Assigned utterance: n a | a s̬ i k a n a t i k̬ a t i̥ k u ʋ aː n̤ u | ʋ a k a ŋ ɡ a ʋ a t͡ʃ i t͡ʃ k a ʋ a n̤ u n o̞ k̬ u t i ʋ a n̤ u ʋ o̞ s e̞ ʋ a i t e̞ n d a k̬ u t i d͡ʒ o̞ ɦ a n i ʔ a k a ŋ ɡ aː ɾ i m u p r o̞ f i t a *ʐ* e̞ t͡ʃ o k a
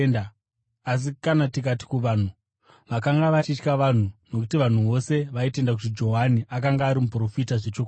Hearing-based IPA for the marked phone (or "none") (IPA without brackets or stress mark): ʐ